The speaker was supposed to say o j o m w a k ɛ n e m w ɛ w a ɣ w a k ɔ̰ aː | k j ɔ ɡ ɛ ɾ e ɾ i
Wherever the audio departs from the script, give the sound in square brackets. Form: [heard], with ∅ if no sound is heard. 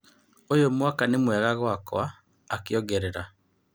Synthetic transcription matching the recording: o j o m w a k [a] n e m w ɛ [ɣ] a ɣ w a k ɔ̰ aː | k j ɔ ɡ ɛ ɾ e ɾ [a]